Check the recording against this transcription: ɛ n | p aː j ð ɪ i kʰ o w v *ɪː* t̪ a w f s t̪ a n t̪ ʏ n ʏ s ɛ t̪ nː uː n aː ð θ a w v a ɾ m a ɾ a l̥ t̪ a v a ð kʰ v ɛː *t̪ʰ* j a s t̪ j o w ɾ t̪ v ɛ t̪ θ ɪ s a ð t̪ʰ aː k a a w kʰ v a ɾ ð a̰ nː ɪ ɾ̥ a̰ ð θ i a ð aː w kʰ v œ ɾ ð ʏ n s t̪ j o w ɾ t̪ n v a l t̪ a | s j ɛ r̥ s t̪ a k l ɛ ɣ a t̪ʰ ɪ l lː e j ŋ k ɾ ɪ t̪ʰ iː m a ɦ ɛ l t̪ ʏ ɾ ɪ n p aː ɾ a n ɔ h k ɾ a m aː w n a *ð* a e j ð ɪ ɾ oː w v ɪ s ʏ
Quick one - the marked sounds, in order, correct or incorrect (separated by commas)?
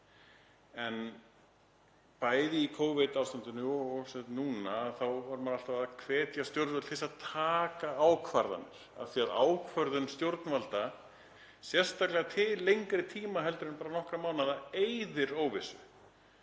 incorrect, incorrect, correct